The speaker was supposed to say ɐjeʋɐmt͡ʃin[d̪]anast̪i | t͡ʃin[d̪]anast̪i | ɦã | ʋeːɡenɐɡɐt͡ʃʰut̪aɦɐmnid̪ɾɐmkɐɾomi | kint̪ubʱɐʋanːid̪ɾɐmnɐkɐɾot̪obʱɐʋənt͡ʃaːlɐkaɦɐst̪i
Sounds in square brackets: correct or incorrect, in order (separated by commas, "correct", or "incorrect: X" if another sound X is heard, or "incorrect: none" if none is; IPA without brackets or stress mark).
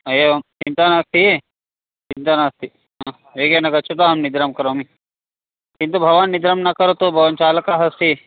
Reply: incorrect: t̪, incorrect: t̪